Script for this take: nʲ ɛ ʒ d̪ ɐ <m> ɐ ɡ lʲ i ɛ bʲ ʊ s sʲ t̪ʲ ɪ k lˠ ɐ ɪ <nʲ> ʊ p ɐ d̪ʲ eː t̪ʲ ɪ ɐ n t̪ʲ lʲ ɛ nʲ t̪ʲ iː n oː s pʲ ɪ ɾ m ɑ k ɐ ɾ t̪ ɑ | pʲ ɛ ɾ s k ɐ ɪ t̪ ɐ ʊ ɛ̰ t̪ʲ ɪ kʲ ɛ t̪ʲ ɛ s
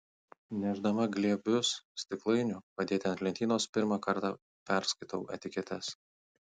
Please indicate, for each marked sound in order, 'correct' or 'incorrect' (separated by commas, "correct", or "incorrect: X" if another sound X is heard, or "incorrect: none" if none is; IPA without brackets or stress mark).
correct, correct